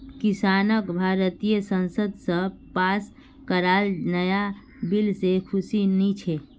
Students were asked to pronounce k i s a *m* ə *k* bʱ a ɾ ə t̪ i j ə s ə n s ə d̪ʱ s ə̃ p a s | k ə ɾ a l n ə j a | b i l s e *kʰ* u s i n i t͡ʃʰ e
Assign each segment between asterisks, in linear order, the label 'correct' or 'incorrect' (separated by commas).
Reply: incorrect, correct, correct